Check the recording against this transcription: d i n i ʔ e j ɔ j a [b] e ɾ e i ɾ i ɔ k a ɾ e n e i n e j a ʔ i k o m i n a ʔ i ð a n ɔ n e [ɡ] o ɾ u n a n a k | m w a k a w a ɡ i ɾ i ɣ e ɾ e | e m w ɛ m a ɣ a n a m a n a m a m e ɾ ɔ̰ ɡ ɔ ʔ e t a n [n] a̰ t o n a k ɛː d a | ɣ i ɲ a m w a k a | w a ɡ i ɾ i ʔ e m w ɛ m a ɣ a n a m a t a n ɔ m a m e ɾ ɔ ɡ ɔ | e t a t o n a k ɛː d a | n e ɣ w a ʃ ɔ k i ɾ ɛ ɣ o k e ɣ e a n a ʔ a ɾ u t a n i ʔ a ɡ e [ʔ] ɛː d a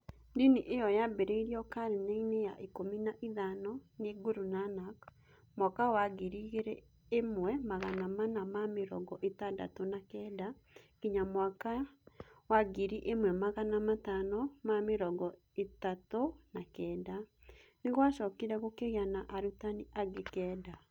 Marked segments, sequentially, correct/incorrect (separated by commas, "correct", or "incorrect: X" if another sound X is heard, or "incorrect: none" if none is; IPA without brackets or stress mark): correct, correct, incorrect: d, incorrect: k